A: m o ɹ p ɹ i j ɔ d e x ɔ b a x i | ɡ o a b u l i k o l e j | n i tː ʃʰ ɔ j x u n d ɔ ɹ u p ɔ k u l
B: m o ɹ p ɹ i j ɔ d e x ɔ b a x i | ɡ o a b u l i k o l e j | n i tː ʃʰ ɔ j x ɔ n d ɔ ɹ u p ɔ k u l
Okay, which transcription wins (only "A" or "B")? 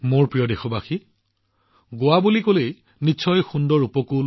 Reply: A